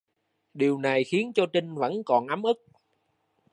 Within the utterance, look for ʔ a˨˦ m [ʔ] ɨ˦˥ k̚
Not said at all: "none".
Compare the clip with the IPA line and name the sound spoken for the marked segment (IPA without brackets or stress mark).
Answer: ʔ